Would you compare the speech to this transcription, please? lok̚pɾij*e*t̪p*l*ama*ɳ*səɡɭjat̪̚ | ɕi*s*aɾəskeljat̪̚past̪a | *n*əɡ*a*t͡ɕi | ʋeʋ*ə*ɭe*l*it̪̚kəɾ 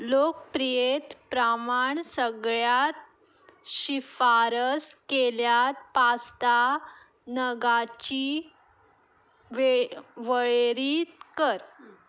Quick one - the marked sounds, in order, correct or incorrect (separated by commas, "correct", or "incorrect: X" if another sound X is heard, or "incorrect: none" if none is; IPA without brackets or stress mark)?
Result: correct, incorrect: ɾ, correct, incorrect: f, correct, correct, correct, incorrect: ɾ